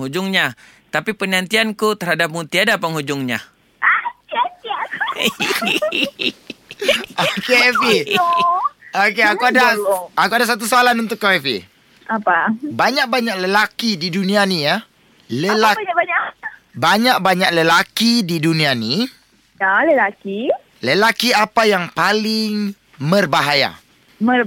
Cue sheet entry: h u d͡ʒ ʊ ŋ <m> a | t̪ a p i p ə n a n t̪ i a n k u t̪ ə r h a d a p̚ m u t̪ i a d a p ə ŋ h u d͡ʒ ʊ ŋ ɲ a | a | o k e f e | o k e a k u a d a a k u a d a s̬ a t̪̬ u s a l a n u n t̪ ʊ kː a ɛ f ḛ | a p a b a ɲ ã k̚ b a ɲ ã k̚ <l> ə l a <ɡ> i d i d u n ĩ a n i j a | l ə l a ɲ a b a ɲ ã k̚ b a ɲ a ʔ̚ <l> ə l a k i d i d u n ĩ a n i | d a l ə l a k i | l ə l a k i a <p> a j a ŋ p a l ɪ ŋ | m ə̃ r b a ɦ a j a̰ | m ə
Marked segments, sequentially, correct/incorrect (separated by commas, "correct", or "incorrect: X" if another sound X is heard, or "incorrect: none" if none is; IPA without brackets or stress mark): incorrect: ɲ, correct, incorrect: k, correct, correct